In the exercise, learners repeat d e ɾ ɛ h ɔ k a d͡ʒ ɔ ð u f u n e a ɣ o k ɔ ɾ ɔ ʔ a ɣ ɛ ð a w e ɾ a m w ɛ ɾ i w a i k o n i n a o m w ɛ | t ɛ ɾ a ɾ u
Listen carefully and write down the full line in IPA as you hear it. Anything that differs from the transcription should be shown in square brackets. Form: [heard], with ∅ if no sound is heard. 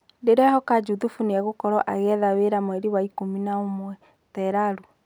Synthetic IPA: d e ɾ ɛ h ɔ k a d͡ʒ [u] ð u f u n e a ɣ o k ɔ ɾ ɔ ʔ a ɣ ɛ ð a w e ɾ a m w ɛ ɾ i w a i k o [m] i n a o m w ɛ | t ɛ ɾ a ɾ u